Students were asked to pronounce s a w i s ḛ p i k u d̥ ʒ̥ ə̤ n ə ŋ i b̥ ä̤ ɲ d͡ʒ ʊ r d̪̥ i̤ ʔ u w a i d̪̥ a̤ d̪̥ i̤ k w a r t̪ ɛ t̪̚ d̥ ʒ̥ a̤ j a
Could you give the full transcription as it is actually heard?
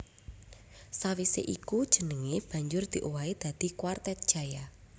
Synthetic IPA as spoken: s a w i s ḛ ʔ i k u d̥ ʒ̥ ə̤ n ə ŋ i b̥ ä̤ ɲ d͡ʒ ʊ r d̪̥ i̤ ʔ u w a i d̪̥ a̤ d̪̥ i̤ k w a r t̪ ɛ t̪̚ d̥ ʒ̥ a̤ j a